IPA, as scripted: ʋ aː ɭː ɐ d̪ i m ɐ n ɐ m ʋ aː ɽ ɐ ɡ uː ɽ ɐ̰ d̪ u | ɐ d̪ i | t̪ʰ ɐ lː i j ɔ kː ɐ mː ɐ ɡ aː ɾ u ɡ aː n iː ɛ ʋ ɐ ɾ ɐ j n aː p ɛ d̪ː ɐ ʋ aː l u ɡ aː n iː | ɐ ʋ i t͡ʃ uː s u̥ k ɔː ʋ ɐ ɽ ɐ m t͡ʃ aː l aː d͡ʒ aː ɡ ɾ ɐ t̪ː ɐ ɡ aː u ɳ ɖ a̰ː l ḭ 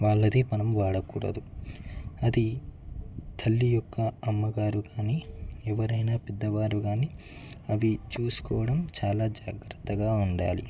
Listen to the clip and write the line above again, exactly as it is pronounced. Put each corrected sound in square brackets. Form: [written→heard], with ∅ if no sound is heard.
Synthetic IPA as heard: ʋ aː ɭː ɐ d̪ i m ɐ n ɐ m ʋ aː ɽ ɐ [ɡ→k] uː ɽ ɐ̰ d̪ u | ɐ d̪ i | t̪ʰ ɐ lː i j ɔ kː ɐ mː ɐ ɡ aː ɾ u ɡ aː n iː ɛ ʋ ɐ ɾ ɐ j n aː p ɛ d̪ː ɐ ʋ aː [l→ɾ] u ɡ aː n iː | ɐ ʋ i t͡ʃ uː s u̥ k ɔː ʋ ɐ ɽ ɐ m t͡ʃ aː l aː d͡ʒ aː ɡ ɾ ɐ t̪ː ɐ ɡ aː u ɳ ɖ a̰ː l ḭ

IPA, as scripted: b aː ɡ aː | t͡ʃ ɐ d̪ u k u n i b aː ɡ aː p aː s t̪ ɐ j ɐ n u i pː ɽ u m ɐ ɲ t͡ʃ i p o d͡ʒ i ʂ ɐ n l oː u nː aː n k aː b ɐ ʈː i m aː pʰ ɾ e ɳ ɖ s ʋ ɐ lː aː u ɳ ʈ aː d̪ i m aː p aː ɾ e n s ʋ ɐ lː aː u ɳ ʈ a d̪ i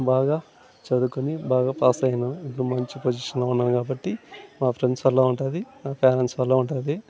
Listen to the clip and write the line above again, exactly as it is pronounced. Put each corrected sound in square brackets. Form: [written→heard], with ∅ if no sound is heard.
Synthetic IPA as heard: b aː ɡ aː | t͡ʃ ɐ d̪ u k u n i b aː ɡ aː p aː s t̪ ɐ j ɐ n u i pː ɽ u m ɐ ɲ t͡ʃ i p o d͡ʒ i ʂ ɐ n l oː u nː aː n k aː b ɐ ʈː i m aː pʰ ɾ e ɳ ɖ s ʋ ɐ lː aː u ɳ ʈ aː d̪ i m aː p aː ɾ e n s ʋ ɐ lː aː u ɳ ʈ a d̪ i

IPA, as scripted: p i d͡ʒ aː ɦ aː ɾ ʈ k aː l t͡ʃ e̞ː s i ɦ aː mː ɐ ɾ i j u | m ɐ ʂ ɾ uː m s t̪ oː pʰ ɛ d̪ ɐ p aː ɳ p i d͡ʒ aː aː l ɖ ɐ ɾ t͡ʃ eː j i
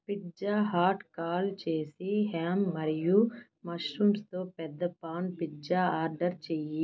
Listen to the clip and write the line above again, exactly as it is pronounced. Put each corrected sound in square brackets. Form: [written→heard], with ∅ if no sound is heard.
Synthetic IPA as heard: p i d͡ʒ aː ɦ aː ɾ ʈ k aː l t͡ʃ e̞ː s i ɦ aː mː ɐ ɾ i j u | m ɐ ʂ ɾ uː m s t̪ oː [pʰ→p] ɛ [d̪→d̪ː] ɐ p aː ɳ p i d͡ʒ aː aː [l→ɾ] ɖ ɐ ɾ t͡ʃ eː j i

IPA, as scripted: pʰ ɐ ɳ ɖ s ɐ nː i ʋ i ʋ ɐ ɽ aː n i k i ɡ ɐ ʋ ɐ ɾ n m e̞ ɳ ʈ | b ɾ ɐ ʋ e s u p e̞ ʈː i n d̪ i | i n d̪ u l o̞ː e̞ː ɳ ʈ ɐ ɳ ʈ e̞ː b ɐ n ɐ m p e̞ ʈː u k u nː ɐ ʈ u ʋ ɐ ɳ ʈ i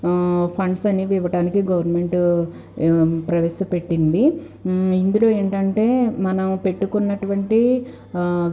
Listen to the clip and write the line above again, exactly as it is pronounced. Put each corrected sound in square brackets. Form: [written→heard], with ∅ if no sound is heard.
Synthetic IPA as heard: pʰ ɐ ɳ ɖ s ɐ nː i ʋ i ʋ ɐ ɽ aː n i k i ɡ ɐ ʋ ɐ ɾ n m e̞ ɳ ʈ | [b→p] ɾ ɐ ʋ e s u p e̞ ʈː i n d̪ i | i n d̪ u l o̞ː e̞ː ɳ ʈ ɐ ɳ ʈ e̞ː [b→m] ɐ n ɐ m p e̞ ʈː u k u nː ɐ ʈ u ʋ ɐ ɳ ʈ i

